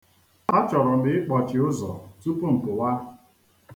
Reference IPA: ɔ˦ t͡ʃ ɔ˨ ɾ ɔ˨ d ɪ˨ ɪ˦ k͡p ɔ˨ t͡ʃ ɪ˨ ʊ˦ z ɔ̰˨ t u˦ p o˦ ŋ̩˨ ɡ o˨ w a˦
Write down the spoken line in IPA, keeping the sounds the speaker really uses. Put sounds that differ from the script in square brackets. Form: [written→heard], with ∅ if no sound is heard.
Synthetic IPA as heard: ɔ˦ t͡ʃ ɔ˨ ɾ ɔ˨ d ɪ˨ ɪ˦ k͡p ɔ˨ t͡ʃ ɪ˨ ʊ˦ z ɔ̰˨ t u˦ p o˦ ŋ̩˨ [ɡ→k] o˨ w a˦